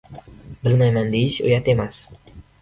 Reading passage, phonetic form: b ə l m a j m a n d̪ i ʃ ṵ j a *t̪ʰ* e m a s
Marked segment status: incorrect: t̪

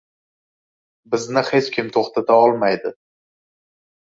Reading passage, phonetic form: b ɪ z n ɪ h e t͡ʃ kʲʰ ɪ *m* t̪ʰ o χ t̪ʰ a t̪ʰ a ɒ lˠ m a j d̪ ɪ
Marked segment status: correct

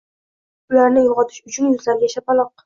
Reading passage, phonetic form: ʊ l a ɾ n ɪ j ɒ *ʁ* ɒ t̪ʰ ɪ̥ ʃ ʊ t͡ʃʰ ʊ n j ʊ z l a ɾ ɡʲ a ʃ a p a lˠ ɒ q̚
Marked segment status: correct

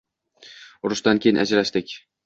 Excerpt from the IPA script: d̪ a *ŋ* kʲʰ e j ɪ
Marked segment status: incorrect: n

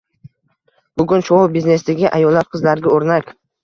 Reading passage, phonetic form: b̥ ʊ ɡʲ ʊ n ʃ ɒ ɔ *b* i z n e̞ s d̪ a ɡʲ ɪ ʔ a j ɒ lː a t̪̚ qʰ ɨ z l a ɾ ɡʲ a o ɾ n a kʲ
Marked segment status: correct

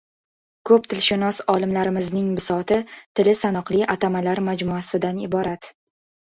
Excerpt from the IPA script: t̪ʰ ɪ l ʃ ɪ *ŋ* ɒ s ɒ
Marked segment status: incorrect: n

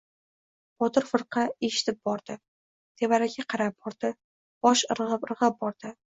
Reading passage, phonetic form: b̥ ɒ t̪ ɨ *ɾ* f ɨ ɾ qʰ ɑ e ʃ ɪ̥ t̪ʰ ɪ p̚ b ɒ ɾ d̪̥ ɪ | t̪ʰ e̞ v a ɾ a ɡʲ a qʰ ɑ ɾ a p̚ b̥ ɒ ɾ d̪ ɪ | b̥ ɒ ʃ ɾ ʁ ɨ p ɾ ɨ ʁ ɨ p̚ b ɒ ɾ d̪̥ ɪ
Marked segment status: correct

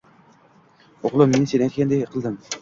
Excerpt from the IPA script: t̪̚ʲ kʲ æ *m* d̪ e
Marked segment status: incorrect: n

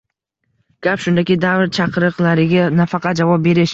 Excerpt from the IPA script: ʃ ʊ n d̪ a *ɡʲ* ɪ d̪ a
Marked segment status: incorrect: kʲ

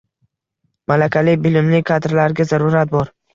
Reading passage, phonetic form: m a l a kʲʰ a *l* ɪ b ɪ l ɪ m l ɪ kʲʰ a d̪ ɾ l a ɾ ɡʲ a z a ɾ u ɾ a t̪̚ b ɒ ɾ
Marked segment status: correct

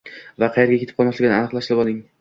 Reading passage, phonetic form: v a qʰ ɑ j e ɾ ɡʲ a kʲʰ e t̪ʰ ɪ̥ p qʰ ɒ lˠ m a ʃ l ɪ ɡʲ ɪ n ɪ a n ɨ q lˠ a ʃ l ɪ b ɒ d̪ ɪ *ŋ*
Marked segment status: correct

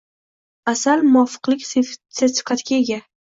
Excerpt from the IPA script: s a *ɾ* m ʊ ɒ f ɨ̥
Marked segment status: incorrect: l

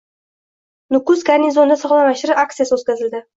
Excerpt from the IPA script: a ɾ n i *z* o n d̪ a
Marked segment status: correct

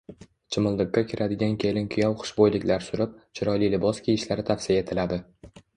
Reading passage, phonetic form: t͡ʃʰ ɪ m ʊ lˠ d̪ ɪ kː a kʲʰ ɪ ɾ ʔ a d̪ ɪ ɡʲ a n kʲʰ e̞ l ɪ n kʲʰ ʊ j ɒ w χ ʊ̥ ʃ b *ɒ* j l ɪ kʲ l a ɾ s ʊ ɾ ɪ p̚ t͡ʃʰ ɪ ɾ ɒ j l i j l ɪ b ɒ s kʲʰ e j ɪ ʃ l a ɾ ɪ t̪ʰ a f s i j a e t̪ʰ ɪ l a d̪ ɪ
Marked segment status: incorrect: o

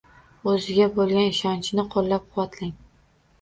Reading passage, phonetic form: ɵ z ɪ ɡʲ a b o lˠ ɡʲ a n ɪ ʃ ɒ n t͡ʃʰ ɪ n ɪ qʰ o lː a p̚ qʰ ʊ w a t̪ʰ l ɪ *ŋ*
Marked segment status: correct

